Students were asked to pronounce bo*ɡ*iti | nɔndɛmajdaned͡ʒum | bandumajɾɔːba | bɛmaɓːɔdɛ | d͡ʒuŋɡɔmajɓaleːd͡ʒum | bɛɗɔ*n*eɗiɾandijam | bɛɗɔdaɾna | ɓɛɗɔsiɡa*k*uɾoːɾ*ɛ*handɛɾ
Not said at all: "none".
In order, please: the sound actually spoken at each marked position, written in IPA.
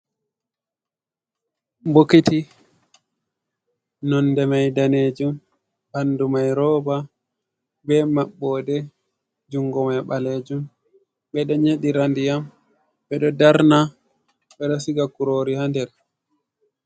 k, ɲ, k, i

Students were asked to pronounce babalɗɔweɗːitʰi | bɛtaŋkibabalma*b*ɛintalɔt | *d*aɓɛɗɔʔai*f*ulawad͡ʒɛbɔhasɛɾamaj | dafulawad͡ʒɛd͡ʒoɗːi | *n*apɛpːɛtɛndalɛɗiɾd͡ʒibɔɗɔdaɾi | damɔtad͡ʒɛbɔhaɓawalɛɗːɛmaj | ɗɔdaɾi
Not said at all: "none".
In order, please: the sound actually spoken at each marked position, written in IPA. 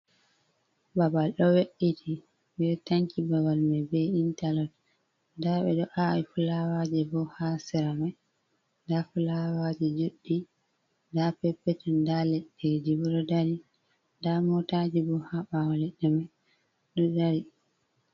b, d, f, d

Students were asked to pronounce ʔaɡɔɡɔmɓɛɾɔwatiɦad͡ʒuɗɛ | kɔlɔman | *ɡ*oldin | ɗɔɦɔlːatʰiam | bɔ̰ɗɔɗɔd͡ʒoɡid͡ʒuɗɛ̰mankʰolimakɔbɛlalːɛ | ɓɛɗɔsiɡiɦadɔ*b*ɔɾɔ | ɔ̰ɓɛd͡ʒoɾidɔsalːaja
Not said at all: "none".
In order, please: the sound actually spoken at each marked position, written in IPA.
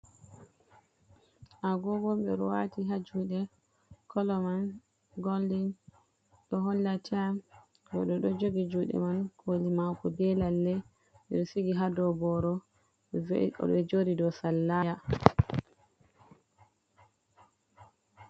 ɡ, b

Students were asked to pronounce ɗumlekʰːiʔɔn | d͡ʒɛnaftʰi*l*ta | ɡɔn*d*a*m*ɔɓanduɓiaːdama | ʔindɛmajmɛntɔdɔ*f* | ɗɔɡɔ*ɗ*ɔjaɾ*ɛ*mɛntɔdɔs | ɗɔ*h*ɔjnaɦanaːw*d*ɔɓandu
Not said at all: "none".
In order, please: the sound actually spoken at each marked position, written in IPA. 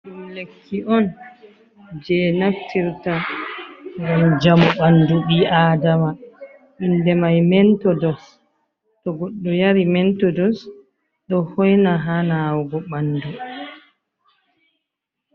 ɾ, d͡ʒ, m, s, ɗː, i, h, ɡ

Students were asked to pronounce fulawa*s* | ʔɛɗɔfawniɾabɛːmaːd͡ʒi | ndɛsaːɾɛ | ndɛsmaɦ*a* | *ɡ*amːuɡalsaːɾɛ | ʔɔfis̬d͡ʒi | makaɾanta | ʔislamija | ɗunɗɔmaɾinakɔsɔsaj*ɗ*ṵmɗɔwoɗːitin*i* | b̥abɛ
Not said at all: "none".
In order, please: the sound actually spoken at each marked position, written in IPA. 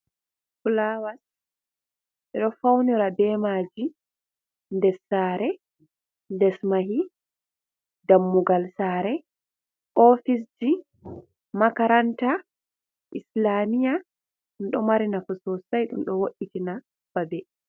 s, i, d, ɗ, a

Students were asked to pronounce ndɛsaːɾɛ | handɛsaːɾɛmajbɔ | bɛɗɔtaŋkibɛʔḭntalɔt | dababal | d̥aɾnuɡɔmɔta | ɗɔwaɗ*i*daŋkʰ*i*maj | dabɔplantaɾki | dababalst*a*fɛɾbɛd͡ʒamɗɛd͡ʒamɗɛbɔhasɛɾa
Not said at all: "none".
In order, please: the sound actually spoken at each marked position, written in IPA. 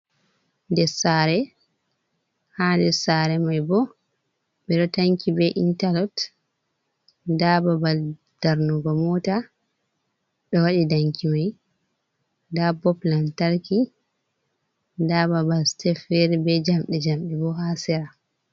i, i, ɛ

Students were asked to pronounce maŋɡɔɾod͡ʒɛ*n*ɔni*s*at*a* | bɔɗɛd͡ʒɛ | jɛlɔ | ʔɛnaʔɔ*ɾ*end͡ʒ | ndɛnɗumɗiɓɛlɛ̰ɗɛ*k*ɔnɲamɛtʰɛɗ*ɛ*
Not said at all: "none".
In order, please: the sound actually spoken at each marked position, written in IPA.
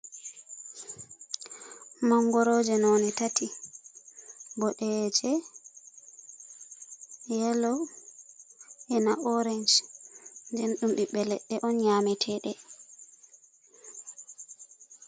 n, t, i, ɾ, ʔ, ɛ

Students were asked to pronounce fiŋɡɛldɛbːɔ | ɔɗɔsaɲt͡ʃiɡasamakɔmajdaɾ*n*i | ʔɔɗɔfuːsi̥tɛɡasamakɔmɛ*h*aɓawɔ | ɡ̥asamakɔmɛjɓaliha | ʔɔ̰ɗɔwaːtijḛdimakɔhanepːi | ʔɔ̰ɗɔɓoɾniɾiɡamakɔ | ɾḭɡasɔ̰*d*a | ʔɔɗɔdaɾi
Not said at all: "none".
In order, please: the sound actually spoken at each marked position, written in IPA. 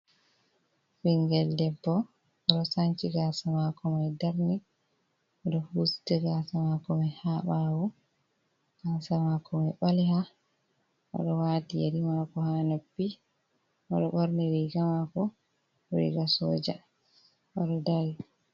n, h, d͡ʒ

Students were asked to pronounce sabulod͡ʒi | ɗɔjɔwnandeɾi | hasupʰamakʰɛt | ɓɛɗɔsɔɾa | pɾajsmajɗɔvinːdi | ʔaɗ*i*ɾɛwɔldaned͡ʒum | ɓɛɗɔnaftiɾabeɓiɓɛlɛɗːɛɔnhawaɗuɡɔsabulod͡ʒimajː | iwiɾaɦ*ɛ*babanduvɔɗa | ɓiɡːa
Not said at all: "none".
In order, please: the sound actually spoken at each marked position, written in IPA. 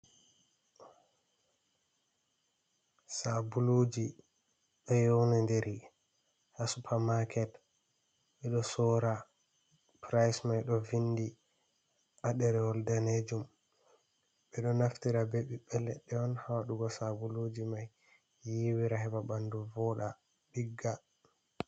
ɛ, ɛ

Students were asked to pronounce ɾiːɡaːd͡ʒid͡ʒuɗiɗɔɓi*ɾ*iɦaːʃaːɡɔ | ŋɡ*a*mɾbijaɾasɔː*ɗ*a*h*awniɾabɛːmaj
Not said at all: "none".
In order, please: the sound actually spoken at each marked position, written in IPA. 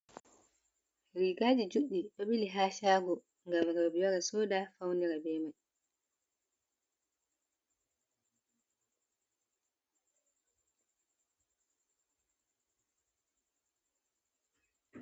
l, a, d, f

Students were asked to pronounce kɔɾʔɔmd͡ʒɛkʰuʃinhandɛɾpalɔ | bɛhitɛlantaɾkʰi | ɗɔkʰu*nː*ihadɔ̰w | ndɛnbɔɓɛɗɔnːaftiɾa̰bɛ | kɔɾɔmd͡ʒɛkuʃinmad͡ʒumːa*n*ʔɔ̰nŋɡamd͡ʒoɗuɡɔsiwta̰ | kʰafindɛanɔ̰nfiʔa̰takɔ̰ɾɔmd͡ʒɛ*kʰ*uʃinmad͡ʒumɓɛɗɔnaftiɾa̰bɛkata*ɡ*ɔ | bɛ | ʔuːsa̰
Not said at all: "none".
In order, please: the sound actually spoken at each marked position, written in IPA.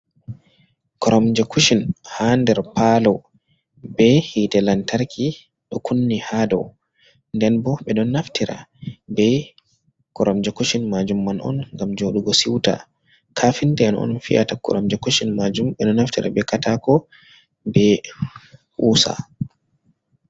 nː, n, k, k

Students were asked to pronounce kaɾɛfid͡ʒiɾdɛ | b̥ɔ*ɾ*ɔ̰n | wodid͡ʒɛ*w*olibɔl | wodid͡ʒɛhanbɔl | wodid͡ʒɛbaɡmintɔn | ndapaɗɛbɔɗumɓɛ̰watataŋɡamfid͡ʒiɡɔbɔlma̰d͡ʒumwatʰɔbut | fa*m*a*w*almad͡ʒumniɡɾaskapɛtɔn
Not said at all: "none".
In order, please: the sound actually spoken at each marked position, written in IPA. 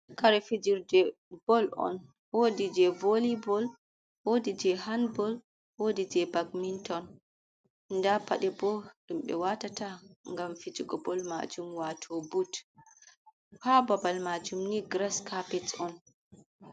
l, v, b, b

